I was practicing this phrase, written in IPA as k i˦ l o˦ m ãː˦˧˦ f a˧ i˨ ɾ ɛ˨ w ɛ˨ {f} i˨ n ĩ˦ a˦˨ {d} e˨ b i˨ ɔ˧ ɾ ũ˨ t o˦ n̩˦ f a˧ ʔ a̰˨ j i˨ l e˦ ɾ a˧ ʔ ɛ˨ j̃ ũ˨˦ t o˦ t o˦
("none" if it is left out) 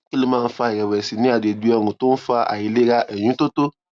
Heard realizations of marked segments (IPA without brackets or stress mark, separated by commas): s, d